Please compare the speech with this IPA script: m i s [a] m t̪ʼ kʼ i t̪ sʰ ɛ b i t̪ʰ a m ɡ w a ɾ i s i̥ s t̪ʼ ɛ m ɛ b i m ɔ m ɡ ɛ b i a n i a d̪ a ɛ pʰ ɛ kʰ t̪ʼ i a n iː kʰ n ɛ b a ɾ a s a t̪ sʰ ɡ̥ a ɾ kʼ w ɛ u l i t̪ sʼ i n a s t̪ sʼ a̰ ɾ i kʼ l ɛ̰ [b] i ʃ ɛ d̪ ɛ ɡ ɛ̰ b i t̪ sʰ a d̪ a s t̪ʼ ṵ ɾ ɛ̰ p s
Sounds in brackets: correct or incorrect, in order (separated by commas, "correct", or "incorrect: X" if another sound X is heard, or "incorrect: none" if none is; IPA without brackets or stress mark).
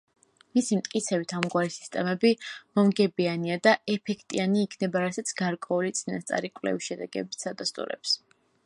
incorrect: i, incorrect: v